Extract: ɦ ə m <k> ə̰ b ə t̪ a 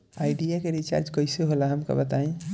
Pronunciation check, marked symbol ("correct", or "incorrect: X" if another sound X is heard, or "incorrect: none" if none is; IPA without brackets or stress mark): correct